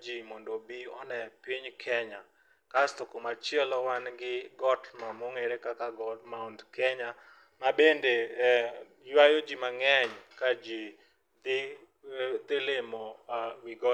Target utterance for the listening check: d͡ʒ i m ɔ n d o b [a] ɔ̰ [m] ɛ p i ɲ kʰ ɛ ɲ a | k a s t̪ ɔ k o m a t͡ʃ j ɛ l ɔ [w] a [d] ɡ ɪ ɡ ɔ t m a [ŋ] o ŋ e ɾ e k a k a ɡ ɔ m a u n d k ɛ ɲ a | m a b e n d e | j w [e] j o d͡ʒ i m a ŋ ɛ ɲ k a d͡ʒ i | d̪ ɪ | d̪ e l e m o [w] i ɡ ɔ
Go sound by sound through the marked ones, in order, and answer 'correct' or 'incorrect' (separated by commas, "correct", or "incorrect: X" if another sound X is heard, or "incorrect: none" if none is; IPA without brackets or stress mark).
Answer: incorrect: i, incorrect: n, correct, incorrect: n, incorrect: m, incorrect: a, correct